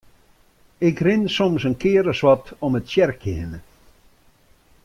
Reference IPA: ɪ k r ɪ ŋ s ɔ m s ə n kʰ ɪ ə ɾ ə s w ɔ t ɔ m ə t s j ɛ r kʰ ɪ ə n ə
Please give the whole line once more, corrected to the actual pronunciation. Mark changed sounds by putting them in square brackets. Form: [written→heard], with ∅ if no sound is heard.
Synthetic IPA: ɪ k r ɪ [ŋ→n] s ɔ m s ə n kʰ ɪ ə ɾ ə s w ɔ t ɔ m ə t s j ɛ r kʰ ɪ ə n ə